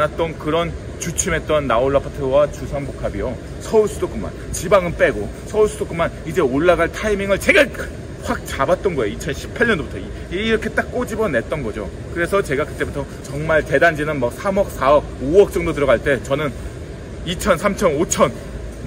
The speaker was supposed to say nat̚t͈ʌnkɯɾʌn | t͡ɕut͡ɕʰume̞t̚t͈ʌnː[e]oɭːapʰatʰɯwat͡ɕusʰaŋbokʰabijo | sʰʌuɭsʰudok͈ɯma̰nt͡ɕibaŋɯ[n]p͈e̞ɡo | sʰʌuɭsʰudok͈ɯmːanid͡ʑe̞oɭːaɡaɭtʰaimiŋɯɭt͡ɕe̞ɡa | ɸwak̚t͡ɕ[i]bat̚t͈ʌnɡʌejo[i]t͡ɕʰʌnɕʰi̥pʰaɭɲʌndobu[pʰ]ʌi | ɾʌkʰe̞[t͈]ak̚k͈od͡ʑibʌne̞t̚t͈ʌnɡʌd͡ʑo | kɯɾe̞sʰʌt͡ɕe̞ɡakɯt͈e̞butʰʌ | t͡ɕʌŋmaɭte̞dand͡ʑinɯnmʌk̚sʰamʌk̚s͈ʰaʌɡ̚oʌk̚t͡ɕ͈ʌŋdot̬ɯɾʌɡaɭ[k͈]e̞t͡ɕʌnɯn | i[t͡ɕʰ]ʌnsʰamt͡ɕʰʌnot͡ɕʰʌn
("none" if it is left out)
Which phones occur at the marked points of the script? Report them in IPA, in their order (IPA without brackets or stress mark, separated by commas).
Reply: a, n, a, i, tʰ, t͈, t͈, t͡ɕʰ